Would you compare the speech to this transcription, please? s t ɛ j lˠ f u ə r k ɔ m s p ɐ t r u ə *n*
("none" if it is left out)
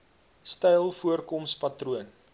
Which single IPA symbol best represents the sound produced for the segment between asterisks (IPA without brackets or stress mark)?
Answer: n